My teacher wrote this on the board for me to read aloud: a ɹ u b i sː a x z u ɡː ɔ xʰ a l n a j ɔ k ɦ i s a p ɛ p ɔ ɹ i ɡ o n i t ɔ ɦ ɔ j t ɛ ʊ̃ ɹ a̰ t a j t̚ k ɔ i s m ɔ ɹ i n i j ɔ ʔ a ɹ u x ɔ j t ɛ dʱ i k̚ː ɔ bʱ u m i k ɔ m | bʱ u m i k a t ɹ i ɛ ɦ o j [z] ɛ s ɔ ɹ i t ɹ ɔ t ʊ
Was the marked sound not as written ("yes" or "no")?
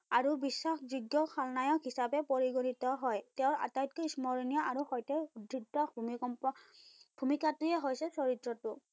yes